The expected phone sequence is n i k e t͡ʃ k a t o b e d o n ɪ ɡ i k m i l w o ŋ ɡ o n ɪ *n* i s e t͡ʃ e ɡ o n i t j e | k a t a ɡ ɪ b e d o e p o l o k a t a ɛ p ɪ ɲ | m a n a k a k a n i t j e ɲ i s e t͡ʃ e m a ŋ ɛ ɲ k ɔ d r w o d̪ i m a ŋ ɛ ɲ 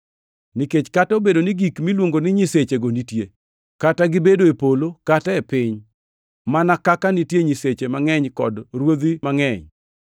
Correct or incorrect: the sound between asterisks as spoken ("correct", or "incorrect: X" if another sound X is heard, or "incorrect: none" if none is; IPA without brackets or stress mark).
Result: incorrect: ɲ